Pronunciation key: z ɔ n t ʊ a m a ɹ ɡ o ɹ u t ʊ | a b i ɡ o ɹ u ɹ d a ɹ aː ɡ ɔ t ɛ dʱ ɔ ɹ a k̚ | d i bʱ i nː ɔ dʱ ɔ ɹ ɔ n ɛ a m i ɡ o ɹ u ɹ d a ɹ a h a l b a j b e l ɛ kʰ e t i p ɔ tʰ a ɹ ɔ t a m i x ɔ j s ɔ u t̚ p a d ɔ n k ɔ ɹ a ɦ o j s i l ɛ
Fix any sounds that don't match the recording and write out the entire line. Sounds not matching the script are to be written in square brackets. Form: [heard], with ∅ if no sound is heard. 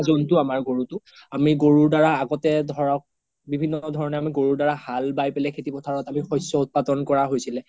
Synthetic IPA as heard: z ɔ n t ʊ a m a ɹ ɡ o ɹ u t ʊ | a [m] i ɡ o ɹ u ɹ d a ɹ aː ɡ ɔ t ɛ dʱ ɔ ɹ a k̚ | [b] i bʱ i nː ɔ dʱ ɔ ɹ ɔ n ɛ a m i ɡ o ɹ u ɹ d a ɹ a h a l b a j [p] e l ɛ kʰ e t i p ɔ tʰ a ɹ ɔ t a m i x ɔ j s ɔ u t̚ p a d ɔ n k ɔ ɹ a ɦ o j s i l ɛ